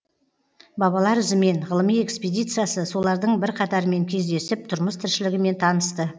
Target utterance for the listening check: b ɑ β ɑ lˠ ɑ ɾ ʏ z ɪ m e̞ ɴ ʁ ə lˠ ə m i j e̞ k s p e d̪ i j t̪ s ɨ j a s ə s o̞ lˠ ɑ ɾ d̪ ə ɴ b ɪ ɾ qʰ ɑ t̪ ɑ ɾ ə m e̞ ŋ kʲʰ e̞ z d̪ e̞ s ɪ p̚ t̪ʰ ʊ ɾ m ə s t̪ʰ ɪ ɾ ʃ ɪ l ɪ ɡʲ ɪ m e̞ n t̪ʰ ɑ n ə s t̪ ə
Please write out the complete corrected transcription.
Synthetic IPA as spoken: b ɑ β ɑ lˠ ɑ ɾ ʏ z ɪ m e̞ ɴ ʁ ə lˠ ə m i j e̞ k s p e d̪ i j t̪ s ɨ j a s ə s o̞ lˠ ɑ ɾ d̪ ə ɴ b ɪ ɾ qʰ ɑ t̪ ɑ ɾ ə m e̞ ŋ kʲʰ e̞ z d̪ e̞ s ɪ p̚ t̪ʰ ʊ ɾ m ə s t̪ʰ ɪ ɾ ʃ ɪ l ɪ ɡʲ ɪ m e̞ n t̪ʰ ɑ n ə s t̪ ə